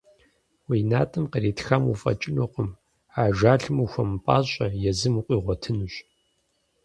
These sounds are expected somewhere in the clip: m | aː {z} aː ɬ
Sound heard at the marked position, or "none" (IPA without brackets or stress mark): ʒ